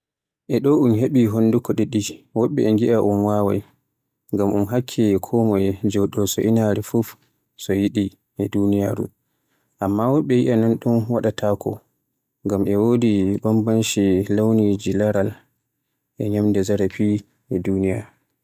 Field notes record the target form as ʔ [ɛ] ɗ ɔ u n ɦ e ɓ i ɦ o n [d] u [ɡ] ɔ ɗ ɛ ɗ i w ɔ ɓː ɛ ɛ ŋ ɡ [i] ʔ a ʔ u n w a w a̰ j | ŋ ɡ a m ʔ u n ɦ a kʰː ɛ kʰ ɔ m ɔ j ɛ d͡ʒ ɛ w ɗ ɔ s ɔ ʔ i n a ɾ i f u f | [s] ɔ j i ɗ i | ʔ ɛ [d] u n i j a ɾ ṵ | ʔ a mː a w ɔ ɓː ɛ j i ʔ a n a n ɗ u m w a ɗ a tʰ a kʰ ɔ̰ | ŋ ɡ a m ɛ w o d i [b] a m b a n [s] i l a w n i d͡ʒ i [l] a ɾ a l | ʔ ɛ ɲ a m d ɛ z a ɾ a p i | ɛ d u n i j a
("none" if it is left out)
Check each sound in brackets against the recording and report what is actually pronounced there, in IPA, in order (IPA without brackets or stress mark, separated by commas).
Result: ɛ, d, k, i, s, d, b, ʃ, l